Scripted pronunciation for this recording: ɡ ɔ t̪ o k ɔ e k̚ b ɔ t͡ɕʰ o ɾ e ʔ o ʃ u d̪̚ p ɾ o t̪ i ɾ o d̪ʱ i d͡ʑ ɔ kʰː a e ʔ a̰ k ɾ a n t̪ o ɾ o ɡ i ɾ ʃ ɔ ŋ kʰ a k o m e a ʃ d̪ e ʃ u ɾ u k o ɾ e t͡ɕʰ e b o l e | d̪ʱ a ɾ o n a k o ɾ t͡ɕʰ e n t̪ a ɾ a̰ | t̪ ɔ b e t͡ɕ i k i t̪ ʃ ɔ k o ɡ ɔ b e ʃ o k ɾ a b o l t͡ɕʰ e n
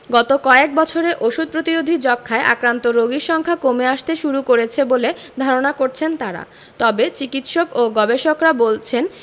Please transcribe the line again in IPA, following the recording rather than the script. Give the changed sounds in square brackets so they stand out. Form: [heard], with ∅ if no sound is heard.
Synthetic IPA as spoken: ɡ ɔ t̪ o k ɔ e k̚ b ɔ t͡ɕʰ o ɾ e ʔ o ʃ u d̪̚ p ɾ o t̪ i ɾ o d̪ʱ i d͡ʑ ɔ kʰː a e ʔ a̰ k ɾ a n t̪ o ɾ o ɡ i ɾ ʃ ɔ ŋ kʰ a k o m e a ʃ [t̪] e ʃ u ɾ u k o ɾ e t͡ɕʰ e b o l e | d̪ʱ a ɾ o n a k o ɾ t͡ɕʰ e n t̪ a ɾ a̰ | t̪ ɔ b e t͡ɕ i k i t̪ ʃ [o] k o ɡ ɔ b e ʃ o k ɾ a b o l t͡ɕʰ e n